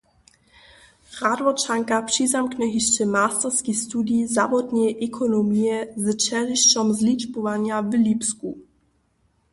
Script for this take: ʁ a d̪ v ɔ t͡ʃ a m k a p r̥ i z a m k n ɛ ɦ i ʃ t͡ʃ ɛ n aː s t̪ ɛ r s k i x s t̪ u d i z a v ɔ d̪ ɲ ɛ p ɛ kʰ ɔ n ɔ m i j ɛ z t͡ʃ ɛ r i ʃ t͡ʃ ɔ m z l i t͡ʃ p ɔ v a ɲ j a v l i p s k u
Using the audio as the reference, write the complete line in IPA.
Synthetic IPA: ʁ a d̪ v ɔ t͡ʃ a ŋ k a p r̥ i z a m k n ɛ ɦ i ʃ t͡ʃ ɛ m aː s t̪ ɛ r s k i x s t̪ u d i z a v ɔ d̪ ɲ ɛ ʔ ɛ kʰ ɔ n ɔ m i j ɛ z t͡ʃ ɛ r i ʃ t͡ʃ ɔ m z l i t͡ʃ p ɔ v a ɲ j a v l i p s k u

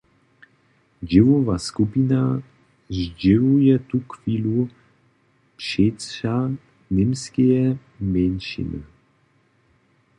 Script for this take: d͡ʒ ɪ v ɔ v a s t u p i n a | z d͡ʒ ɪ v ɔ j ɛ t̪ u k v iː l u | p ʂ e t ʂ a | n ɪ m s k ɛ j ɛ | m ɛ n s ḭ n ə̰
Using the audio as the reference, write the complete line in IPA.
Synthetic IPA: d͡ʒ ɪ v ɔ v a s k u p i n a | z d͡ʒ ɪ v u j ɛ t̪ u k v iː l u | p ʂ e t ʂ a | n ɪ m s k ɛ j ɛ | m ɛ n ʃ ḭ n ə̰

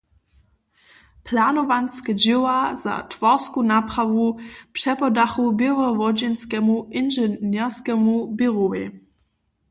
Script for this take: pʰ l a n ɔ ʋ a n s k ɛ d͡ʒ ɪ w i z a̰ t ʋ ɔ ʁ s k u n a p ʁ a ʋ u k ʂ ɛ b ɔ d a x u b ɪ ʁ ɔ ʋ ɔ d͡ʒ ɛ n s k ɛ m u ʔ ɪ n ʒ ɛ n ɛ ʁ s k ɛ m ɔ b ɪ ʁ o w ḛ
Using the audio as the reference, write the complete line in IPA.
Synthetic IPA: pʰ l a n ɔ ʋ a n s k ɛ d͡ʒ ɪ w a z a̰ t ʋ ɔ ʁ s k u n a p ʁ a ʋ u p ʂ ɛ p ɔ d a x u b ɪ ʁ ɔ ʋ ɔ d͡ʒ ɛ n s k ɛ m u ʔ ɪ n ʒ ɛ n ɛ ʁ s k ɛ m u b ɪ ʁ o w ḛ

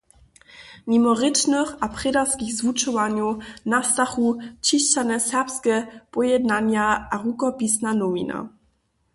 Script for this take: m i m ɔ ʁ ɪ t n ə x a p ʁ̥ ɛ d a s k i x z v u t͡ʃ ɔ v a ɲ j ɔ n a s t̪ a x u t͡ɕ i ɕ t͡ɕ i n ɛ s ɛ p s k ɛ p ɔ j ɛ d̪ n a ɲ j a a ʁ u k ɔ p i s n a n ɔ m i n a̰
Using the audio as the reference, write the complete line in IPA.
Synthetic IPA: m i m ɔ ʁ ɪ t n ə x a p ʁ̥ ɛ d a s k i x z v u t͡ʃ ɔ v a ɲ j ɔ n a s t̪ a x u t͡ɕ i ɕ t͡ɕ a n ɛ s ɛ p s k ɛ p ɔ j ɛ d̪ n a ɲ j a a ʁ u k ɔ p i s n a n ɔ m i n a̰

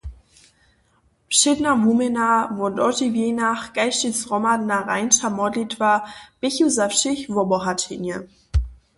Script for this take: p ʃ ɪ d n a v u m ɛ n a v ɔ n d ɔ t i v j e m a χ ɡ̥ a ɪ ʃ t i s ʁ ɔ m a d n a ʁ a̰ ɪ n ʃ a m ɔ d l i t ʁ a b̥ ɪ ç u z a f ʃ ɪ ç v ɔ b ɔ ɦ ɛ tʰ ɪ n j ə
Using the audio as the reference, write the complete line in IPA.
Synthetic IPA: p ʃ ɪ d n a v u m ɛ n a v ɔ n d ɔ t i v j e n a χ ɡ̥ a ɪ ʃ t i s ʁ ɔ m a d n a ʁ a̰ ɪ n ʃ a m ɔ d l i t v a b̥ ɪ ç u z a f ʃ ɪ ç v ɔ b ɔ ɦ a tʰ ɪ n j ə

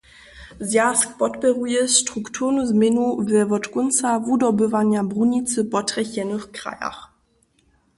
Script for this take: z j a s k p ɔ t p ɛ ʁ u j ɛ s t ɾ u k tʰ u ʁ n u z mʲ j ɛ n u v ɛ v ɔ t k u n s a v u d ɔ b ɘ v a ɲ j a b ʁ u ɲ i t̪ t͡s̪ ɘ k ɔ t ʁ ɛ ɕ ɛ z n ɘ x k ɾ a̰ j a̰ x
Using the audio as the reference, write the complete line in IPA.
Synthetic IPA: z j a s k p ɔ t p ɛ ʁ u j ɛ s t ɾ u k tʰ u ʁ n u z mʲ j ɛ n u v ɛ v ɔ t k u n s a v u d ɔ b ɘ v a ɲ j a b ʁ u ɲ i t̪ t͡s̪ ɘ p ɔ t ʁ ɛ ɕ ɛ n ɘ x k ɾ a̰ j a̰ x

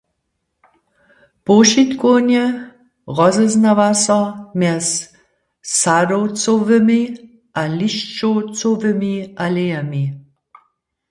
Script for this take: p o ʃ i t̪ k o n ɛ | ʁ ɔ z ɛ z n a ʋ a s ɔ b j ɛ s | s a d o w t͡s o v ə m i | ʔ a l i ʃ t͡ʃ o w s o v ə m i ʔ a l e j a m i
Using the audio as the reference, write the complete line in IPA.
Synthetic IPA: p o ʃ i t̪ k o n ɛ | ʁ ɔ z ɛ z n a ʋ a s ɔ m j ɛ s | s a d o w t͡s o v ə m i | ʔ a l i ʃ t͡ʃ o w t͡s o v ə m i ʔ a l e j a m i

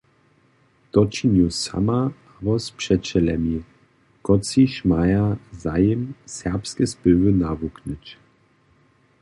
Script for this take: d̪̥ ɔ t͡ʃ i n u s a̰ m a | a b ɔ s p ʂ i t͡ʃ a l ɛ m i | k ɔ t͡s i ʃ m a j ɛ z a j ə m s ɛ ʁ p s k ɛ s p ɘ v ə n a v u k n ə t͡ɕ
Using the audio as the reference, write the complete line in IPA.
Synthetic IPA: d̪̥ ɔ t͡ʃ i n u s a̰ m a | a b ɔ s p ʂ ɛ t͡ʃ ɛ l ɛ m i | k ɔ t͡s i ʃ m a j a z a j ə m s ɛ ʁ p s k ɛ s p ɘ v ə n a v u k n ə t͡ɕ

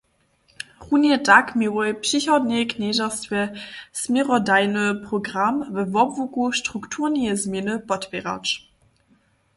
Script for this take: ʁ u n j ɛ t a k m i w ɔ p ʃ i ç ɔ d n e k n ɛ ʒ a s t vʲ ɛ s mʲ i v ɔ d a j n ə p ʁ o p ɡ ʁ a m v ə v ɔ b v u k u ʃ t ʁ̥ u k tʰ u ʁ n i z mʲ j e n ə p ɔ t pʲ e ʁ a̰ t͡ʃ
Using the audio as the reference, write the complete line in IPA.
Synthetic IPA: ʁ u n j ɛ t a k m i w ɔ p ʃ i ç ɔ d n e k n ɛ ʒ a s t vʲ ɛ s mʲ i ʁ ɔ d a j n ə p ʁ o ɡ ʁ a m v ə v ɔ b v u k u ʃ t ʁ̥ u k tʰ u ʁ n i z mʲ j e n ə p ɔ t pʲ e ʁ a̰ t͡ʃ

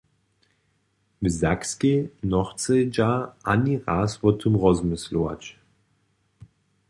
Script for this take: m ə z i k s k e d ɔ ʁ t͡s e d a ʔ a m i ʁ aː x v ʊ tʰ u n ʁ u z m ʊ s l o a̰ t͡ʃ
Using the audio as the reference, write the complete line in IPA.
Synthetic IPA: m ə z a k s k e n ɔ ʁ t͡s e d͡ʒ a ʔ a n i ʁ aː s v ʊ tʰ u m ʁ ɔ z m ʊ s l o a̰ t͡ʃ

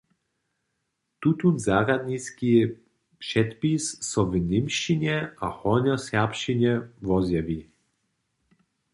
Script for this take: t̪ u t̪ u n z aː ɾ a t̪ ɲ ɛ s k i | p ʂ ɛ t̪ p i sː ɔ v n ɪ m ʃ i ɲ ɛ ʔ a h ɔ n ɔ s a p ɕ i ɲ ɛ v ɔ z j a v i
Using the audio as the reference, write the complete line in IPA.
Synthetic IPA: t̪ u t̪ u n z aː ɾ a d̪ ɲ i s k i | p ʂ ɛ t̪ p i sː ɔ v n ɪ m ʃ i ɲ ɛ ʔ a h ɔ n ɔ s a p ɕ i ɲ ɛ v ɔ z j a v i

